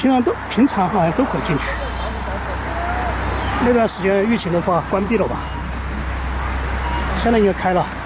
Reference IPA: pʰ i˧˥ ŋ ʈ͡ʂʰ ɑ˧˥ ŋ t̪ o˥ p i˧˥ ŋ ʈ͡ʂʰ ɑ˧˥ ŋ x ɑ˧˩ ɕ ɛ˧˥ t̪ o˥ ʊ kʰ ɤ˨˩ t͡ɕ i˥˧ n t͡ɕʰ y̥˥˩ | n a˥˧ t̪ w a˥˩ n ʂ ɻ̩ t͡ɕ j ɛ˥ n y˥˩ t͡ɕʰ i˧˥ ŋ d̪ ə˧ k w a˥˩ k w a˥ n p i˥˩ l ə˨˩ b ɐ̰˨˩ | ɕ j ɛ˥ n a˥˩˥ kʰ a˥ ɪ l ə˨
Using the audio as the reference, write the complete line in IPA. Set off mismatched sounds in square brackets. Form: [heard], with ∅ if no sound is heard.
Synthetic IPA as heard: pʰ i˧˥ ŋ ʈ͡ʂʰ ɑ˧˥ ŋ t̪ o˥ [pʰ] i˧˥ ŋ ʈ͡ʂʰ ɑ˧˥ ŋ x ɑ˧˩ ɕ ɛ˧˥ t̪ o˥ ʊ kʰ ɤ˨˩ t͡ɕ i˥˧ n t͡ɕʰ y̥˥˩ | n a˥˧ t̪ w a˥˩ n ʂ ɻ̩ t͡ɕ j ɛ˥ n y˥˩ t͡ɕʰ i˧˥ ŋ d̪ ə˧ [x] w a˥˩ k w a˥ n p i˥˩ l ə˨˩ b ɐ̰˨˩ | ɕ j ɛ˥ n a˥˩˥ kʰ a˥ ɪ l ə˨

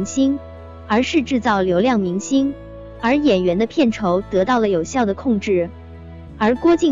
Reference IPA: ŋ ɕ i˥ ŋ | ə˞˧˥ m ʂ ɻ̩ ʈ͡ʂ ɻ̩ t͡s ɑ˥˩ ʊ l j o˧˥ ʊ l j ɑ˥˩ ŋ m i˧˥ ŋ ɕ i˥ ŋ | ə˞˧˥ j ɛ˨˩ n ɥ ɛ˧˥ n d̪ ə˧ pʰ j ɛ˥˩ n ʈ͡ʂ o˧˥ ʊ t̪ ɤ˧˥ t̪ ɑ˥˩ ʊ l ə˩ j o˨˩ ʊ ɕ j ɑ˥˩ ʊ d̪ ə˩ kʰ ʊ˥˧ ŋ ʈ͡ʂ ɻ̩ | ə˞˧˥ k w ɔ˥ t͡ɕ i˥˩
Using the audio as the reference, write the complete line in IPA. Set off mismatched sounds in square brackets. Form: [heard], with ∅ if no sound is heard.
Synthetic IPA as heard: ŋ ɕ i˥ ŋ | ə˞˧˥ [∅] ʂ ɻ̩ ʈ͡ʂ ɻ̩ t͡s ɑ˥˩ ʊ l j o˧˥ ʊ l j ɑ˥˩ ŋ m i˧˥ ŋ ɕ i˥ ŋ | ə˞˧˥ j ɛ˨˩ n ɥ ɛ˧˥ n d̪ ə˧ pʰ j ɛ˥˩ n [ʈ͡ʂʰ] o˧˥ ʊ t̪ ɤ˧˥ t̪ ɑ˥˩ ʊ l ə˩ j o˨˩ ʊ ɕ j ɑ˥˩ ʊ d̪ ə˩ kʰ ʊ˥˧ ŋ ʈ͡ʂ ɻ̩ | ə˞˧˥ k w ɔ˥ t͡ɕ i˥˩

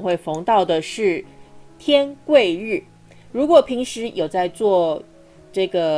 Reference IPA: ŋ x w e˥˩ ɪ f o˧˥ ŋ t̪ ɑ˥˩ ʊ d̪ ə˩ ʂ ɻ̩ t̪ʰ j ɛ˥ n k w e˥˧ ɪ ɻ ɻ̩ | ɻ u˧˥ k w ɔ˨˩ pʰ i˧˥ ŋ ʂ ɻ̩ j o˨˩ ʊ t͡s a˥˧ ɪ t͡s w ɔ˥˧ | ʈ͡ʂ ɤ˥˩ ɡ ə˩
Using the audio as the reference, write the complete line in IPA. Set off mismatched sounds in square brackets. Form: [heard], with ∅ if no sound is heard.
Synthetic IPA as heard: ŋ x w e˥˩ ɪ f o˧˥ ŋ t̪ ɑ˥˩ ʊ d̪ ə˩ ʂ ɻ̩ t̪ʰ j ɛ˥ n k w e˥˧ ɪ ɻ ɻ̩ | ɻ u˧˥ k w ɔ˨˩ pʰ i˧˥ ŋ ʂ ɻ̩ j o˨˩ ʊ t͡s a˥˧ ɪ t͡s w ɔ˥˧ | ʈ͡ʂ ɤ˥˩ ɡ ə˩

